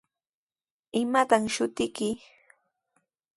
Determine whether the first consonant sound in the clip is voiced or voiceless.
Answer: voiced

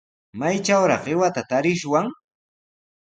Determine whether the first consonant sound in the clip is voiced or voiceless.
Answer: voiced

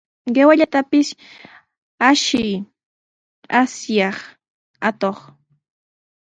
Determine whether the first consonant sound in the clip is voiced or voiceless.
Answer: voiced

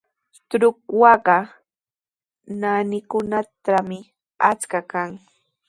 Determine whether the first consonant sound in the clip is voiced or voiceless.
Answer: voiceless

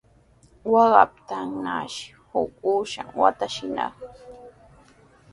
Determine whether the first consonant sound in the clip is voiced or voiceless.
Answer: voiced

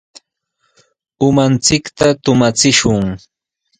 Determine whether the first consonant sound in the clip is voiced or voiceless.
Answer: voiced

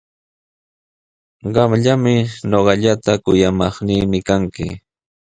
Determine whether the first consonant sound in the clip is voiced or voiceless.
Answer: voiced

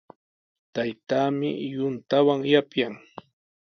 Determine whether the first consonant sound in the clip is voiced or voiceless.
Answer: voiceless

